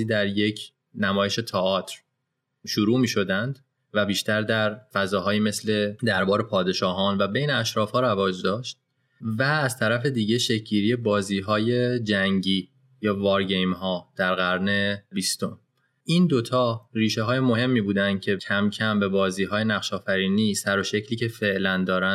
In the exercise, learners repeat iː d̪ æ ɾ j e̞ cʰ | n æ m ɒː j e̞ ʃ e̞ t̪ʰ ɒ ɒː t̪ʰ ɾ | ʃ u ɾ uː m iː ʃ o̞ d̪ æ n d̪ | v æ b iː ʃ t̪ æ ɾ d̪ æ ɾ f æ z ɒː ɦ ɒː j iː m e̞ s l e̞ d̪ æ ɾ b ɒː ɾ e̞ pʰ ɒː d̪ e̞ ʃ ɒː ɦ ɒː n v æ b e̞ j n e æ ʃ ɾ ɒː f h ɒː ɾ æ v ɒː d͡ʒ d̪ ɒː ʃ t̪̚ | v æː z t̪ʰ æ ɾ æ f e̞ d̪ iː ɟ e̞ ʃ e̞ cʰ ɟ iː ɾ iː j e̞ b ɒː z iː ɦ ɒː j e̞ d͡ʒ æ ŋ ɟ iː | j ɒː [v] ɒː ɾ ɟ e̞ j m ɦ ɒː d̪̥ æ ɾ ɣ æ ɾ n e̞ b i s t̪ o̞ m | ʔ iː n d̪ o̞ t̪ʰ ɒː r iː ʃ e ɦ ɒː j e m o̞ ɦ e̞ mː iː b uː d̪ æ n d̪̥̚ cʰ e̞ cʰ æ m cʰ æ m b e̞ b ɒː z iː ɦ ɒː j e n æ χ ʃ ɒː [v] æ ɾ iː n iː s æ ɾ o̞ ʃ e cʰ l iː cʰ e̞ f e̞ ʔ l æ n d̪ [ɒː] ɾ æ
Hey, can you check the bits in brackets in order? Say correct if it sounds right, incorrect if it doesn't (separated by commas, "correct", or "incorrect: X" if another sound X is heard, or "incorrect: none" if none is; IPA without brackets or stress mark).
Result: correct, incorrect: f, correct